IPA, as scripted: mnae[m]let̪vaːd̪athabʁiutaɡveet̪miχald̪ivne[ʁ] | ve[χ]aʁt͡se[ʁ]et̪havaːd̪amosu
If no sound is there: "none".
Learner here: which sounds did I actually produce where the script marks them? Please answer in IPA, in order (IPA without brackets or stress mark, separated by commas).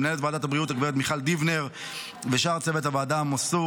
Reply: none, ʁ, ʃ, v